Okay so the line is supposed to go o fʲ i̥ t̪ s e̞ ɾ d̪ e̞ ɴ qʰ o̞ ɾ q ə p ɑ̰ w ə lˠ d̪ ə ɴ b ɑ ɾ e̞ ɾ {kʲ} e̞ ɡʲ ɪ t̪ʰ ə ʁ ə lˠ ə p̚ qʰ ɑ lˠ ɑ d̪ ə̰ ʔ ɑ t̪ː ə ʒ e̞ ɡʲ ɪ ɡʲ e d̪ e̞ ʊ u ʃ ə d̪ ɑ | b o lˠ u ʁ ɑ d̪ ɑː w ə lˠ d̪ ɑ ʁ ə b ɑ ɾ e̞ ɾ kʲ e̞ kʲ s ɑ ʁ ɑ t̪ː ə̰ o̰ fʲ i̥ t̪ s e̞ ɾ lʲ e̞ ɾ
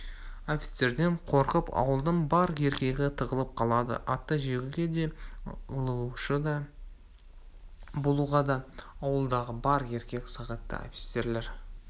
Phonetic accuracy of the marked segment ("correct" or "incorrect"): correct